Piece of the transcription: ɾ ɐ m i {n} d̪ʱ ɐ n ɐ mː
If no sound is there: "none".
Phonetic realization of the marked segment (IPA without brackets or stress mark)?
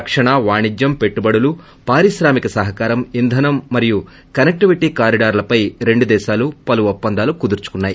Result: n